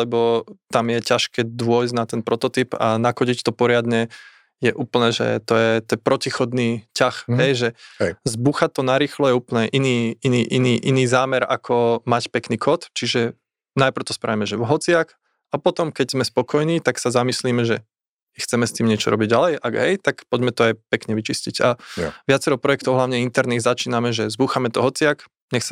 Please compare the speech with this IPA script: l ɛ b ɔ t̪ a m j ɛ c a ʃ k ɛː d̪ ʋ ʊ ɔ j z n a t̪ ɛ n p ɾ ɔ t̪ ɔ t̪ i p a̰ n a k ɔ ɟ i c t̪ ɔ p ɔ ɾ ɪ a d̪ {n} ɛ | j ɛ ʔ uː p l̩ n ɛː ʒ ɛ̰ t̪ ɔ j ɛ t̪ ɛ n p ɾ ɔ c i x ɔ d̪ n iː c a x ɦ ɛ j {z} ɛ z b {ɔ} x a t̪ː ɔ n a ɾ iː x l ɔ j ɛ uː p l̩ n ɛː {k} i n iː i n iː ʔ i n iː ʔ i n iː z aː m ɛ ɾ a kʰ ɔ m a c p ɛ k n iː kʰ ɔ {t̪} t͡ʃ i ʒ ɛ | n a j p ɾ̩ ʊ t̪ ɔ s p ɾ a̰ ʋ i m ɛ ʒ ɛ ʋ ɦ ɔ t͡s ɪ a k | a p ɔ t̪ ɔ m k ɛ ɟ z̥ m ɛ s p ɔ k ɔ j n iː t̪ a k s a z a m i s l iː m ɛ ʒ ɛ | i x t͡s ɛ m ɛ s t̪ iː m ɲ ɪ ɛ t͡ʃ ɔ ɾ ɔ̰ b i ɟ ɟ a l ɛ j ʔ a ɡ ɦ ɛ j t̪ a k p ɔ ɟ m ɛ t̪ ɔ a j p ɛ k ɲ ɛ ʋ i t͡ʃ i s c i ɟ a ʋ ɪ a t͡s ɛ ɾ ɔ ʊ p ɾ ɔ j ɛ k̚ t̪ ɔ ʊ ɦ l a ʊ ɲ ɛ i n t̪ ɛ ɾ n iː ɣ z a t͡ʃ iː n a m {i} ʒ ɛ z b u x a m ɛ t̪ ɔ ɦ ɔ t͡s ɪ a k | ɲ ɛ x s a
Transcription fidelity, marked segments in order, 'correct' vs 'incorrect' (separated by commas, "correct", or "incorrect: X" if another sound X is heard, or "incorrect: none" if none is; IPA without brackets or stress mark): incorrect: ɲ, incorrect: ʒ, incorrect: u, incorrect: ʔ, correct, incorrect: ɛ